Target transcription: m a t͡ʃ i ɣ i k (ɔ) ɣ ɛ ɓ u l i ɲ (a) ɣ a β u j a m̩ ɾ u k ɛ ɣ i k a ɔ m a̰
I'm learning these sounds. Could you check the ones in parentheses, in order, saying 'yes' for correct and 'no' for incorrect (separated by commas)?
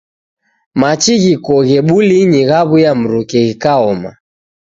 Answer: yes, no